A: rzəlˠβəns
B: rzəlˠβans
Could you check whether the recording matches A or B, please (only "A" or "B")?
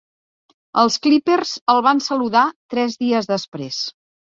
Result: B